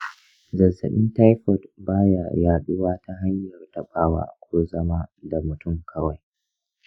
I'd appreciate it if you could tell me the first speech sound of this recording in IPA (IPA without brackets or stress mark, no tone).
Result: z